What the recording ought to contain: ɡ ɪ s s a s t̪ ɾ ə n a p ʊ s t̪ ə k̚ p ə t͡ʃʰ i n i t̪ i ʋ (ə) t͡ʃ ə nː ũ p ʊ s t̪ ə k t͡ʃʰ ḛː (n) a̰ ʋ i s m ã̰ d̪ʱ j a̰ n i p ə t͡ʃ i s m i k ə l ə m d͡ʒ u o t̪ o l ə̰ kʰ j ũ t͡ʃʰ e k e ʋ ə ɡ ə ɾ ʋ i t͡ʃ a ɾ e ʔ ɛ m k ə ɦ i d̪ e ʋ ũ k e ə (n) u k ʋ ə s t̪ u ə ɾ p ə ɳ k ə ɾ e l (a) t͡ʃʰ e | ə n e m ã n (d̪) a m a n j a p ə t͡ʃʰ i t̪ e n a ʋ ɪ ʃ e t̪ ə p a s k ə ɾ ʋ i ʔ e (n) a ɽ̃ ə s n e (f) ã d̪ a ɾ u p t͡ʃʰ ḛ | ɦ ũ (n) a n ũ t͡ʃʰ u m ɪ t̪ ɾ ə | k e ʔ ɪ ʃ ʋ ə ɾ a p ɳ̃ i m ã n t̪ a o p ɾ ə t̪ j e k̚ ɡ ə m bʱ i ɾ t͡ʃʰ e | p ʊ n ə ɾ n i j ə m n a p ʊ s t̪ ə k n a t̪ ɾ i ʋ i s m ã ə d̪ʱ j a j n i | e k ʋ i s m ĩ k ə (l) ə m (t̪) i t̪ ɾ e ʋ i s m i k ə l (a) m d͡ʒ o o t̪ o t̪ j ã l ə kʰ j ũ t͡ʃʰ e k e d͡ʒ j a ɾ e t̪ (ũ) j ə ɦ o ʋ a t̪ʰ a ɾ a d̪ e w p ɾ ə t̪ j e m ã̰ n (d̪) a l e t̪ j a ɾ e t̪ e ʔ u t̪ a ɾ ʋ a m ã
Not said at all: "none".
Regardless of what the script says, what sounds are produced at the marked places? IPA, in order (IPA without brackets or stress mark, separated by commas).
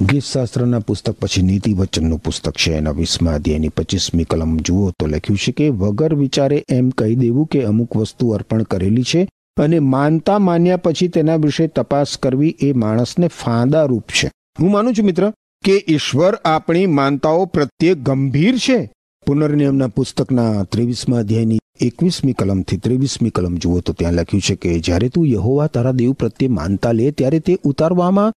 ə, n, m, i, t̪, m, f, m, l, t̪ʰ, ə, ũ, t̪